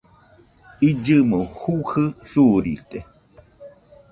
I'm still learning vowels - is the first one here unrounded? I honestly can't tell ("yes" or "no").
yes